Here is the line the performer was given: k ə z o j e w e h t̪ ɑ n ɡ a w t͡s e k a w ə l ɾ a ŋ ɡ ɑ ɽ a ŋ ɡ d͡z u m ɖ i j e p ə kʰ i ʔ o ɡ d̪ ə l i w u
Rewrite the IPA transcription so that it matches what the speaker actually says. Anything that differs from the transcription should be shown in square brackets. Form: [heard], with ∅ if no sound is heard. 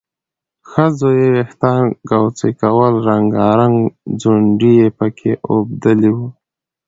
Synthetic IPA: [x] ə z o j e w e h t̪ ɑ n ɡ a w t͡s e k a w ə l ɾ a ŋ ɡ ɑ [ɾ] a ŋ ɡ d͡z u [ɳ] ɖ i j e p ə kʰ [e] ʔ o [b] d̪ ə l i w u